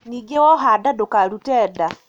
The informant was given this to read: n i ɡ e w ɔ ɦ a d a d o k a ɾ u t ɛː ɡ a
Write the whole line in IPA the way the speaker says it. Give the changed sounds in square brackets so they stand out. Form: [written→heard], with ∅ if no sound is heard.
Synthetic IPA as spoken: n i ɡ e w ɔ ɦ a d a d o k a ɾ u t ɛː [ɡ→d] a